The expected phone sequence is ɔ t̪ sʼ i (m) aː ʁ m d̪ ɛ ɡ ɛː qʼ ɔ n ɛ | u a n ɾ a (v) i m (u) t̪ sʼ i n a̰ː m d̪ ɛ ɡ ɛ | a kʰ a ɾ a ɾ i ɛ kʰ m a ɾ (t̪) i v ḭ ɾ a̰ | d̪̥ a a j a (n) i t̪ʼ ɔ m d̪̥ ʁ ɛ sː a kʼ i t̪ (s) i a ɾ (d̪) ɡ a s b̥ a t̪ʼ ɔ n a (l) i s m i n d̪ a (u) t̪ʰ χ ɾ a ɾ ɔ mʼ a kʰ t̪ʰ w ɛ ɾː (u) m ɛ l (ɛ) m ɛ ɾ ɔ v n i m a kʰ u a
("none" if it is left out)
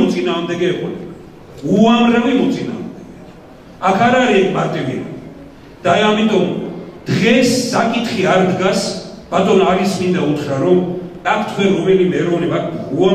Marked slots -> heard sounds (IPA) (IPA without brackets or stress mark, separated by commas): n, v, ɔ, t̪ʼ, m, χ, d̪, ɾ, u, ɔ, i